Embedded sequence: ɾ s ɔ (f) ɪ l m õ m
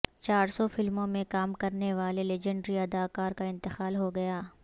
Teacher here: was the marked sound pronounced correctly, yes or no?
yes